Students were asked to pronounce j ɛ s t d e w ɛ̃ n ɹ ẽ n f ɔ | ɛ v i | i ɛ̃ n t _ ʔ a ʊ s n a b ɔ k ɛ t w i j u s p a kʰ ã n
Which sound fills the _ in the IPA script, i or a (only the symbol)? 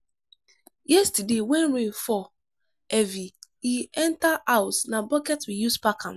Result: a